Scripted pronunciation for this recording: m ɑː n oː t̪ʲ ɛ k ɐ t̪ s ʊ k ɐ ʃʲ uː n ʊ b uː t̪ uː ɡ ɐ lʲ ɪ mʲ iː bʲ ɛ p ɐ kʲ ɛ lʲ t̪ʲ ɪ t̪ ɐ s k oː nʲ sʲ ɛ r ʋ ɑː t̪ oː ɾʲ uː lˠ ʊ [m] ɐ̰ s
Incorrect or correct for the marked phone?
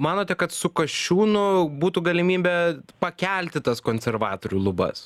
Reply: incorrect: b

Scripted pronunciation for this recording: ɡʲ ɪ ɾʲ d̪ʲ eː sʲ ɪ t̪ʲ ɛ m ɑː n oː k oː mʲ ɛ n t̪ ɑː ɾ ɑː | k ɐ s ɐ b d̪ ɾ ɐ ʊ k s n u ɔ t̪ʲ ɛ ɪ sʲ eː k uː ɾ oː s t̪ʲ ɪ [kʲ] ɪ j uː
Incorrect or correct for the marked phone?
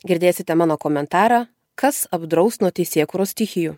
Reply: incorrect: xʲ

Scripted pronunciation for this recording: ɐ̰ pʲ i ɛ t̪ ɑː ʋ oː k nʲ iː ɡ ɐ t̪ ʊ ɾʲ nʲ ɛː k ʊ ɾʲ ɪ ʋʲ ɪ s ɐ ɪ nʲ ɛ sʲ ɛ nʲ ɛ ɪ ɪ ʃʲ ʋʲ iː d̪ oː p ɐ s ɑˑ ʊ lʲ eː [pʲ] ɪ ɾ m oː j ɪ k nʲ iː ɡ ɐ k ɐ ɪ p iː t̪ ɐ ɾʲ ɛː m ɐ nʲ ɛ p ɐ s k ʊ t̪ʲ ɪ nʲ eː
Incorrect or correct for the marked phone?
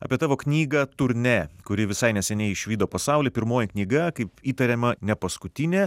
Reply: correct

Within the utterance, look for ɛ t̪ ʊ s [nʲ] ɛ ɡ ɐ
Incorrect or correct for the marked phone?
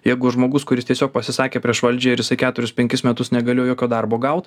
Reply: correct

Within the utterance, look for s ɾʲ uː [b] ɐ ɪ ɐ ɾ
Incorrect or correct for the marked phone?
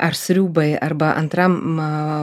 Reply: correct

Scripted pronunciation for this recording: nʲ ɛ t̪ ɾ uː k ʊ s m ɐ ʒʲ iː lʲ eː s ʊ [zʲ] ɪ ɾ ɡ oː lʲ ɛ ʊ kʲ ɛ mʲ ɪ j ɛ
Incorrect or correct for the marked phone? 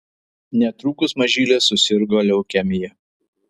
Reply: incorrect: sʲ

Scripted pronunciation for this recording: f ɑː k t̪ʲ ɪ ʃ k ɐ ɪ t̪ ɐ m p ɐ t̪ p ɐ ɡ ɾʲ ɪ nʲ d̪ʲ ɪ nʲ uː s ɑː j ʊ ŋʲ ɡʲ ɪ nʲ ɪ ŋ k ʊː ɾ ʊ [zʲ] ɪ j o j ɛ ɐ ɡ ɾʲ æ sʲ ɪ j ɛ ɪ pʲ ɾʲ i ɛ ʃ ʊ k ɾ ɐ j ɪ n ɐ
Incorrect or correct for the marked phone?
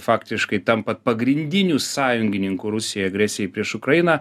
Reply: incorrect: sʲ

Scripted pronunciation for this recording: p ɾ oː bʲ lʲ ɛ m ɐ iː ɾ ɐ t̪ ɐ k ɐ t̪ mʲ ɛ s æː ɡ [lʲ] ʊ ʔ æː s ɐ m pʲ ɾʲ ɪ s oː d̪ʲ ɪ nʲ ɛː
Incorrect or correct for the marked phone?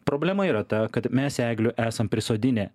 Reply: correct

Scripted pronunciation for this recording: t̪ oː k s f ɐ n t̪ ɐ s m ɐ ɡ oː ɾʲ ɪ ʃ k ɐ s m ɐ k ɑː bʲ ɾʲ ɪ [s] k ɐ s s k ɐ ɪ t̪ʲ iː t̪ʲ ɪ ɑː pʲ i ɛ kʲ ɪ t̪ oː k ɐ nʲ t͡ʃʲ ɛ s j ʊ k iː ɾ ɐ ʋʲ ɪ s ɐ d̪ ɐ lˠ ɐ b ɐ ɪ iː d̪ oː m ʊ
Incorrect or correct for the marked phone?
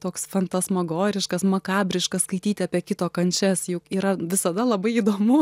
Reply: incorrect: ʃ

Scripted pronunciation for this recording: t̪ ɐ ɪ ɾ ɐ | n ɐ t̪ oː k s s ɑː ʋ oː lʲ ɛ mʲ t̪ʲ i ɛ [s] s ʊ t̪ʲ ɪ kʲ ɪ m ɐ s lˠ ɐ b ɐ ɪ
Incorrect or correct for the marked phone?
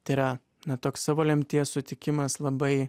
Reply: correct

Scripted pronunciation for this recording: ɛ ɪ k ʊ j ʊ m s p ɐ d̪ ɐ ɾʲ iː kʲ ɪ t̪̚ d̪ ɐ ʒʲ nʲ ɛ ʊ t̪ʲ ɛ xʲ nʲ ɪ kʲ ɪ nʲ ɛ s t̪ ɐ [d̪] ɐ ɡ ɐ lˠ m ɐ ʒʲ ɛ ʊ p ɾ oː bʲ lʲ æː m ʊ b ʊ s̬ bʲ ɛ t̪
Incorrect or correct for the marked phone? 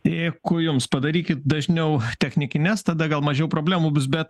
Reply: correct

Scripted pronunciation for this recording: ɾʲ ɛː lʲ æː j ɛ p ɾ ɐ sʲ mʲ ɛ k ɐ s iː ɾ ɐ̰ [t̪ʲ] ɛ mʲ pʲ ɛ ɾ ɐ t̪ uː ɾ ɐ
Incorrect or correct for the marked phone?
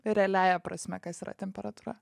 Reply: correct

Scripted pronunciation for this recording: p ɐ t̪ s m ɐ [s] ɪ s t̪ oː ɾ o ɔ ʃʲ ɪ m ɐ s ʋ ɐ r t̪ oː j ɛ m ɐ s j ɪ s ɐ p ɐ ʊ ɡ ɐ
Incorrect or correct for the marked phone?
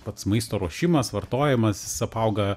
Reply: incorrect: none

